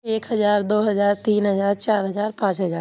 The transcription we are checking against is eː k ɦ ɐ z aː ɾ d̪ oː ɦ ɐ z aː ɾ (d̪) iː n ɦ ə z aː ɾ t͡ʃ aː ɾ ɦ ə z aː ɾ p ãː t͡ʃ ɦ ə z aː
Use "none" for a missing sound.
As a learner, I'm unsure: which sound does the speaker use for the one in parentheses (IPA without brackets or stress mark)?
t̪